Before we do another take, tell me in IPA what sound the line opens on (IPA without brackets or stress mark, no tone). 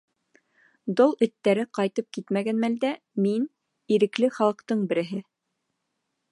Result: d̪